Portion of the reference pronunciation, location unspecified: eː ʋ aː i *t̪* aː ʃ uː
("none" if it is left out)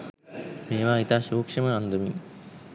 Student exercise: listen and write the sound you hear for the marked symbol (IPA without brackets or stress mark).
t̪